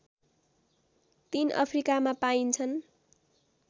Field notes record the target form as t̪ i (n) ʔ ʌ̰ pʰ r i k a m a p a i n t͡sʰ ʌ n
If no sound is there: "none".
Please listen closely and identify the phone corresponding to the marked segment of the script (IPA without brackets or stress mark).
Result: n